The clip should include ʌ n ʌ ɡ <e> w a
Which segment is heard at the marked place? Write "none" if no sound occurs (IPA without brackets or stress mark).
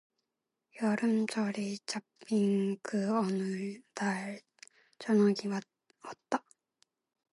i